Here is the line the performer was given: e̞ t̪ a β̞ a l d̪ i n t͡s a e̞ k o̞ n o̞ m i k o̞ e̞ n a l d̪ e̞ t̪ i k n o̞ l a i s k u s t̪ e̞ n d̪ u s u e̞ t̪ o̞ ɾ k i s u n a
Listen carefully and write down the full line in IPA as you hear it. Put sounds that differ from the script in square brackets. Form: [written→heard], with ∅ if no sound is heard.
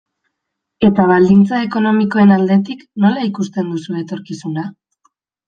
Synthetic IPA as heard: e̞ t̪ a β̞ a l d̪ i n t͡s a e̞ k o̞ n o̞ m i k o̞ e̞ n a l d̪ e̞ t̪ i k n o̞ l a i [s→∅] k u s t̪ e̞ n d̪ u s u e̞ t̪ o̞ ɾ k i s u n a